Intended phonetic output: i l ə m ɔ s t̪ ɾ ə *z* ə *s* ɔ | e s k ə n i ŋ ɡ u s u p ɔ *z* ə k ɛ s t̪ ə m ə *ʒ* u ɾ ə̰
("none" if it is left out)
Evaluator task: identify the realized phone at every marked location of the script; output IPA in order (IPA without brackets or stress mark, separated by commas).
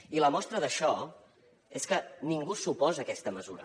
ð, ʃ, z, z